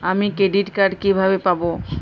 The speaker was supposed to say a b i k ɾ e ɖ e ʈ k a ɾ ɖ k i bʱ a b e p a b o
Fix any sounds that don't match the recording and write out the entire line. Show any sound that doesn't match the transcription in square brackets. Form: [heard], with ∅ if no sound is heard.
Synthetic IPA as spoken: a [m] i k ɾ e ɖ [i] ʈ k a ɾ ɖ k i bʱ a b e p a b o